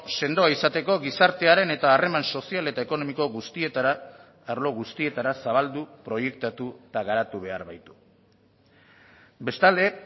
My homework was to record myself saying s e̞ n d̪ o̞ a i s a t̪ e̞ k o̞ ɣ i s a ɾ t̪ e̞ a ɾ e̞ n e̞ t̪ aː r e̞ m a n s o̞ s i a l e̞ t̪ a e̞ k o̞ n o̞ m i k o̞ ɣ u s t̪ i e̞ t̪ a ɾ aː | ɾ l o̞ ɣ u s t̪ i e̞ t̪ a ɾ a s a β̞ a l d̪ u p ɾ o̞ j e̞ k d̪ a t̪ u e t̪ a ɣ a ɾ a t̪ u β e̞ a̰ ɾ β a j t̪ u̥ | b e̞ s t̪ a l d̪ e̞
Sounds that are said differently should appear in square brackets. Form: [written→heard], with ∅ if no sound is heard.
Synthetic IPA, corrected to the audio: s e̞ n d̪ o̞ a i s a t̪ e̞ k o̞ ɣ i s a ɾ t̪ e̞ a ɾ e̞ n e̞ t̪ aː r e̞ m a n s o̞ s i a l e̞ t̪ a e̞ k o̞ n o̞ m i k o̞ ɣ u s t̪ i e̞ t̪ a ɾ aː | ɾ l o̞ ɣ u s t̪ i e̞ t̪ a ɾ a s a β̞ a l d̪ u p ɾ o̞ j e̞ k [d̪→t̪] a t̪ u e t̪ a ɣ a ɾ a t̪ u β e̞ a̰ ɾ β a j t̪ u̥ | b e̞ s t̪ a l d̪ e̞

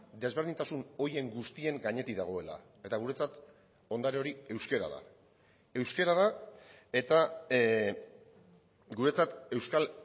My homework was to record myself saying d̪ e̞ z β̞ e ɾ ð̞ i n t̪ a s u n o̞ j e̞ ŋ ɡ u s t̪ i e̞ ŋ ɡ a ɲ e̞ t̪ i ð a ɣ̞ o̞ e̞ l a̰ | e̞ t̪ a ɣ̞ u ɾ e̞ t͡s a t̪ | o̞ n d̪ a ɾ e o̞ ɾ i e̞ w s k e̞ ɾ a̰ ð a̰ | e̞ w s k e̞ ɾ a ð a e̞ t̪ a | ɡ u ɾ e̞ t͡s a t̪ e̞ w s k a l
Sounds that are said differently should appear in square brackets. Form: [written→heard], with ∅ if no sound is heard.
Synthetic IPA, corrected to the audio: d̪ e̞ z β̞ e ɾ ð̞ i n t̪ a s u n o̞ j e̞ ŋ ɡ u s t̪ i e̞ ŋ ɡ a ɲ e̞ t̪ i ð a ɣ̞ o̞ e̞ l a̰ | e̞ t̪ a ɣ̞ u ɾ e̞ t͡s a t̪ | o̞ n d̪ a ɾ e o̞ ɾ i e̞ w s k e̞ ɾ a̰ ð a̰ | e̞ w s k e̞ ɾ a ð a e̞ t̪ a | ɡ u ɾ e̞ t͡s a t̪ e̞ w s k a l

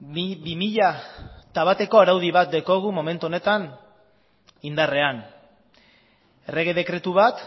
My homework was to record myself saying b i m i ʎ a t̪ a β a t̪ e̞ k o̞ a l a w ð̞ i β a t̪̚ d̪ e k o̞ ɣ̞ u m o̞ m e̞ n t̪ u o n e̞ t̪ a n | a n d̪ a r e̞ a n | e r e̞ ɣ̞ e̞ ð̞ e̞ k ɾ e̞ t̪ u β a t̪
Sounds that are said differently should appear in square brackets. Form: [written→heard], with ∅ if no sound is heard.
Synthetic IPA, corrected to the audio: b i m i ʎ a t̪ a β a t̪ e̞ k o̞ a [l→ɾ] a w ð̞ i β a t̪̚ d̪ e k o̞ ɣ̞ u m o̞ m e̞ n t̪ u o n e̞ t̪ a n | [a→i] n d̪ a r e̞ a n | e r e̞ ɣ̞ e̞ ð̞ e̞ k ɾ e̞ t̪ u β a t̪

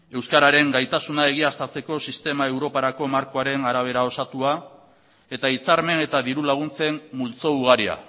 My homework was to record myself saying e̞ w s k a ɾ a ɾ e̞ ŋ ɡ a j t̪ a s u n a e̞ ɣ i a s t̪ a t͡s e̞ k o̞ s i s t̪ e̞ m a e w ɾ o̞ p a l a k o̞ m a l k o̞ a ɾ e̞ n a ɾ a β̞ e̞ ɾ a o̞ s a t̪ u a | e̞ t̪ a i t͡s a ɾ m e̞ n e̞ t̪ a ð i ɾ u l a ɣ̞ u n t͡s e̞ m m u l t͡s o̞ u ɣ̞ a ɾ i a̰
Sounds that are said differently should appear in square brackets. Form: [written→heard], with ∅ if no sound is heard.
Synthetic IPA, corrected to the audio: e̞ w s k a ɾ a ɾ e̞ ŋ ɡ a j t̪ a s u n a e̞ ɣ i a s t̪ a t͡s e̞ k o̞ s i s t̪ e̞ m a e w ɾ o̞ p a [l→ɾ] a k o̞ m a [l→ɾ] k o̞ a ɾ e̞ n a ɾ a β̞ e̞ ɾ a o̞ s a t̪ u a | e̞ t̪ a i t͡s a ɾ m e̞ n e̞ t̪ a ð i ɾ u l a ɣ̞ u n t͡s e̞ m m u l t͡s o̞ u ɣ̞ a ɾ i a̰

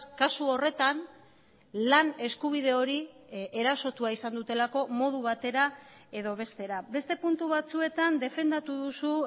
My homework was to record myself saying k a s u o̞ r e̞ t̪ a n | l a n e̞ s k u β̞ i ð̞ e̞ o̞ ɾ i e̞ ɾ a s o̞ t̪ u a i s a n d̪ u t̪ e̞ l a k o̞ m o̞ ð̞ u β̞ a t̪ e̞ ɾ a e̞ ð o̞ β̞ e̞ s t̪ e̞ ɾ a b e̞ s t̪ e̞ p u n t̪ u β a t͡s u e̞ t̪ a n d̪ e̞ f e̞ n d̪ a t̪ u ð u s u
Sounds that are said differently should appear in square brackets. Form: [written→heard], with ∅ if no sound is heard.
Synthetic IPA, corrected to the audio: k a s u o̞ r e̞ t̪ a n | l a n e̞ s k u β̞ i ð̞ e̞ o̞ ɾ i e̞ ɾ a s o̞ t̪ u a i s a n d̪ u t̪ e̞ l a k o̞ m o̞ ð̞ u β̞ a t̪ e̞ ɾ a e̞ ð o̞ β̞ e̞ s t̪ e̞ ɾ a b e̞ s t̪ e̞ p u n t̪ u β a t͡s u e̞ t̪ a n d̪ e̞ f e̞ n d̪ a t̪ u ð u s u

